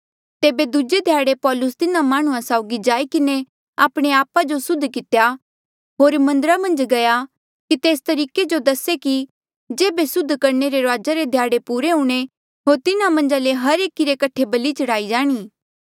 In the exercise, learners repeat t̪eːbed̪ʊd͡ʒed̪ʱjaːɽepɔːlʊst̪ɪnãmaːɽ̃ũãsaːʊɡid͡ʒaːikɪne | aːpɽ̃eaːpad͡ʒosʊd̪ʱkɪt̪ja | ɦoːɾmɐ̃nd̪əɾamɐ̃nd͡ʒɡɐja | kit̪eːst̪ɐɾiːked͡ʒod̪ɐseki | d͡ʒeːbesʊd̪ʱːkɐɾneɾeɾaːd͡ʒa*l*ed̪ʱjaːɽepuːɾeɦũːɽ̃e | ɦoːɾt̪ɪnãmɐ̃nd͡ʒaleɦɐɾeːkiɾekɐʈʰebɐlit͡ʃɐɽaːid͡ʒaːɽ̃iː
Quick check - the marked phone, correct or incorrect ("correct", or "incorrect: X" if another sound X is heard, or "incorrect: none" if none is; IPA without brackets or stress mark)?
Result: incorrect: ɾ